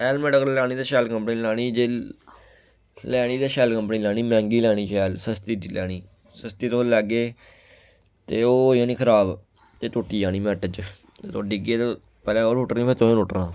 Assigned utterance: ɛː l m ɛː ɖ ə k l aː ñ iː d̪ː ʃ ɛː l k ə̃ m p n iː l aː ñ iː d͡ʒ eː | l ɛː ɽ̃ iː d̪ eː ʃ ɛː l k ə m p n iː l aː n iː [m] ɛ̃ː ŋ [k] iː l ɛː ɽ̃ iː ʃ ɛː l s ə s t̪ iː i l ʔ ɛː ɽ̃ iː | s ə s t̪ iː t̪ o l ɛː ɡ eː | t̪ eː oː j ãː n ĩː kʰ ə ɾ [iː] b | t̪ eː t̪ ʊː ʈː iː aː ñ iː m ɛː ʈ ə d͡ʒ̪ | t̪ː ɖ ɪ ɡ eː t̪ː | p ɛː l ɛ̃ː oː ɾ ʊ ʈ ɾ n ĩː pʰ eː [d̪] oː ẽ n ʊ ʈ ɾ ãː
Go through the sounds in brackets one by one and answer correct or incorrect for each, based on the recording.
correct, incorrect, incorrect, incorrect

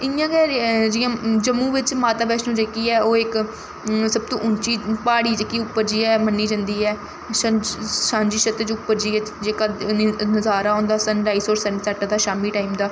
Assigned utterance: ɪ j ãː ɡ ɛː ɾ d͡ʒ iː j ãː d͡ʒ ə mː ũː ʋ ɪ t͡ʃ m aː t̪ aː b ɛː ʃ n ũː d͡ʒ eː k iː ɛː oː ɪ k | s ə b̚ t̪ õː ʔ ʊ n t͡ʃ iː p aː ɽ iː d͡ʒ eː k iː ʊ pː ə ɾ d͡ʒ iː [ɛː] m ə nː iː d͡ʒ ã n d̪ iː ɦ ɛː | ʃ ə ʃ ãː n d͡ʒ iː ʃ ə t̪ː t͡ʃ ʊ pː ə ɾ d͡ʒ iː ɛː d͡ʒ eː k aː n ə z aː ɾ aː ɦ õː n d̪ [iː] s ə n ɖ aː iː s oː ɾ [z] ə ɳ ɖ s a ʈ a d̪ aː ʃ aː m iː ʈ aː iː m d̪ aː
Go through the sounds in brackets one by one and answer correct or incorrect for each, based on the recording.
correct, incorrect, incorrect

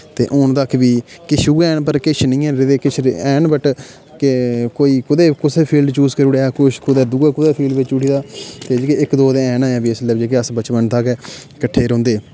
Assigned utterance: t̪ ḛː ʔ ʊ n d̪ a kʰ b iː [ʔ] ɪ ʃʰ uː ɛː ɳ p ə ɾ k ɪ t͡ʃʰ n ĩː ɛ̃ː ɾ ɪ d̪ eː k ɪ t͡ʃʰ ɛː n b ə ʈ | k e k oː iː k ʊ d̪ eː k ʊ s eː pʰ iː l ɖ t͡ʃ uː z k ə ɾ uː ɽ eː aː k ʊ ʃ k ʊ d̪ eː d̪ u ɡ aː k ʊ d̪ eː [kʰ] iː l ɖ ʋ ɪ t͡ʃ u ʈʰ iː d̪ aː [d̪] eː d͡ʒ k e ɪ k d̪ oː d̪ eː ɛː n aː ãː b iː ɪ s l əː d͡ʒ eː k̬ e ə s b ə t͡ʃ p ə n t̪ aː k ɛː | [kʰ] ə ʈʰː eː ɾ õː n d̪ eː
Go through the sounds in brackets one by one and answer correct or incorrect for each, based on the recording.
incorrect, incorrect, incorrect, incorrect

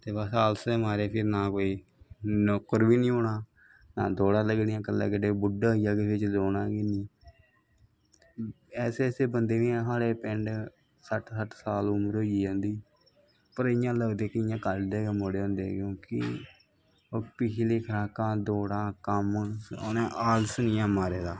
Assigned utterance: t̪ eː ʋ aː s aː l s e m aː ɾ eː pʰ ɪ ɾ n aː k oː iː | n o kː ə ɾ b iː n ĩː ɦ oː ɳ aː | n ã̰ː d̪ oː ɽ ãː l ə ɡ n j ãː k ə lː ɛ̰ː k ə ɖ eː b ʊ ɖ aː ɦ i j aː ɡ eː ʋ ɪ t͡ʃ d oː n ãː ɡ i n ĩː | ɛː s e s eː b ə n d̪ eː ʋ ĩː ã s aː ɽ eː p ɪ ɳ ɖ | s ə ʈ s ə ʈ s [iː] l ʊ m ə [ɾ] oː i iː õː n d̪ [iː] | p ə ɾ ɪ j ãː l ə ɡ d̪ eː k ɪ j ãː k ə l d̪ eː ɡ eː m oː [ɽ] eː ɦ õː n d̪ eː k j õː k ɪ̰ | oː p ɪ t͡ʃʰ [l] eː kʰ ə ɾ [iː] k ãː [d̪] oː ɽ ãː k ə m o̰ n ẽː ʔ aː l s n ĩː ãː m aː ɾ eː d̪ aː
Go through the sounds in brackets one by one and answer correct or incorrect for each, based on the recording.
incorrect, correct, correct, correct, correct, incorrect, correct

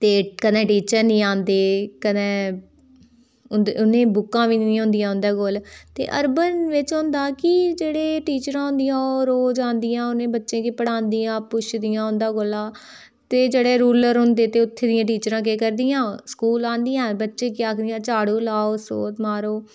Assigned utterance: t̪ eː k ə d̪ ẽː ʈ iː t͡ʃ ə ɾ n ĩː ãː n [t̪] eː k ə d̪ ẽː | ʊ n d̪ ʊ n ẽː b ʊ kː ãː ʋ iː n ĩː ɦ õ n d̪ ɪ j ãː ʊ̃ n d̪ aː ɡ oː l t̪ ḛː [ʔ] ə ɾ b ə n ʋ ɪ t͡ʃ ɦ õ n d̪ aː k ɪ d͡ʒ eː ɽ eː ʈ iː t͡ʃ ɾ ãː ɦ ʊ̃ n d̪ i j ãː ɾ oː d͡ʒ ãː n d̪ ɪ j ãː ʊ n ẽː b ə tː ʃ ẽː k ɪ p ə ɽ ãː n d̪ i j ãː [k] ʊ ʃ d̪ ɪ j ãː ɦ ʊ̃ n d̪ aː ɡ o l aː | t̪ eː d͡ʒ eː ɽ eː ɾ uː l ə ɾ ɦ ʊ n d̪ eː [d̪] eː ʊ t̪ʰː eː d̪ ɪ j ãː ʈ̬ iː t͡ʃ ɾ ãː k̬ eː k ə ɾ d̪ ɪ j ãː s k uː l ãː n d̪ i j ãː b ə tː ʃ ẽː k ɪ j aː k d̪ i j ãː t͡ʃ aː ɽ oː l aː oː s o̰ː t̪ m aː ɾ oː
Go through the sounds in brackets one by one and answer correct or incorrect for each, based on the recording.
incorrect, correct, incorrect, incorrect

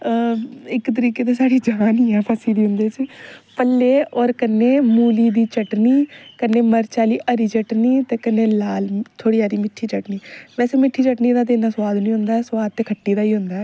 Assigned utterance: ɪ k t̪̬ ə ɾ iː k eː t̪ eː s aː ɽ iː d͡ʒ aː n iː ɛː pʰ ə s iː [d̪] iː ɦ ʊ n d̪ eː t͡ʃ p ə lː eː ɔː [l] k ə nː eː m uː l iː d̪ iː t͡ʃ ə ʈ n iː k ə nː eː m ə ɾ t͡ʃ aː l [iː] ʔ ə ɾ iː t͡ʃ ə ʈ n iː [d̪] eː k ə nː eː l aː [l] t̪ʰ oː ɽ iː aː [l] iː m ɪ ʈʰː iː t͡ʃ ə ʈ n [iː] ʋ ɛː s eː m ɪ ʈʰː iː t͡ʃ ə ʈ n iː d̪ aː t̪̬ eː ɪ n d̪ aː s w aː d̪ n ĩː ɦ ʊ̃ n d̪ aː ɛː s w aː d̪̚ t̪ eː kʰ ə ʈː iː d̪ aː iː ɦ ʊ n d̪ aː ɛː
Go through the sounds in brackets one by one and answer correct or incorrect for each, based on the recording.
correct, incorrect, correct, incorrect, correct, incorrect, correct

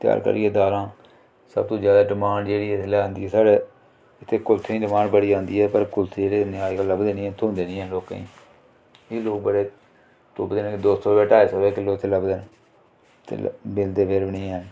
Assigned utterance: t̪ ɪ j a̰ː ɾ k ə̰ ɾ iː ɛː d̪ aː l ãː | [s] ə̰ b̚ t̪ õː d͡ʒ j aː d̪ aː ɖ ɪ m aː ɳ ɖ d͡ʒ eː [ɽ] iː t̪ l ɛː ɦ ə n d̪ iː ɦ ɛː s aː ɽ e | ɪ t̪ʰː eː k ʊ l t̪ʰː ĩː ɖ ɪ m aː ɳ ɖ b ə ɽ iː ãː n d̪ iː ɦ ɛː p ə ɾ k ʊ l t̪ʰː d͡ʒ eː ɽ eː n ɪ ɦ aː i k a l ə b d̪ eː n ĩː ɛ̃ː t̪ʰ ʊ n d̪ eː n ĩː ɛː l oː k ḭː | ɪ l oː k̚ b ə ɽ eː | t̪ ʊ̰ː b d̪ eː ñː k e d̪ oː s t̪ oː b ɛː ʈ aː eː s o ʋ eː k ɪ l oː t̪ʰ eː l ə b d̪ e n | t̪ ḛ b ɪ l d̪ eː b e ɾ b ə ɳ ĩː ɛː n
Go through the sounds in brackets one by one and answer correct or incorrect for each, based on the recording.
correct, correct

